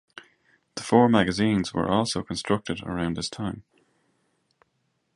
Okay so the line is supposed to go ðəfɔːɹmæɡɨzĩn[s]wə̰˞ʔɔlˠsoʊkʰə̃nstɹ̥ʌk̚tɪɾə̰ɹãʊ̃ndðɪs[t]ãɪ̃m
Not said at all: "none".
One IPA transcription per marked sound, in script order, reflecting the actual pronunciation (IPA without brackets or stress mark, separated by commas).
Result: z, tʰ